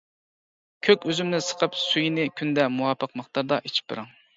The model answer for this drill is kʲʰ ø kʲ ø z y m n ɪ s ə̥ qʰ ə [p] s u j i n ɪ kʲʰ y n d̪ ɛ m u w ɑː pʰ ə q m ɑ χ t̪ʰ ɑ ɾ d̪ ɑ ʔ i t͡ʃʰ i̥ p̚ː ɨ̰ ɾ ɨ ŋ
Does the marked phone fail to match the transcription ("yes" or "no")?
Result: no